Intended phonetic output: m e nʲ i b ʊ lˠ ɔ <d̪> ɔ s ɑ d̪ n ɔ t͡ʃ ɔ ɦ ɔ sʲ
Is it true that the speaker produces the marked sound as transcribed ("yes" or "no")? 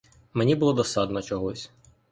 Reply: yes